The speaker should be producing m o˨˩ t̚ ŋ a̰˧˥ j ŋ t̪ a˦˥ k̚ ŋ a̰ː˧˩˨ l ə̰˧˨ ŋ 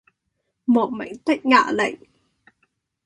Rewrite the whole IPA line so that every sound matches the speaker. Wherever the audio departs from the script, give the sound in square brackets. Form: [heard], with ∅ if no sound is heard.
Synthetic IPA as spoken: m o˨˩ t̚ [m] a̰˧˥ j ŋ t̪ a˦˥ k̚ ŋ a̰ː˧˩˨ l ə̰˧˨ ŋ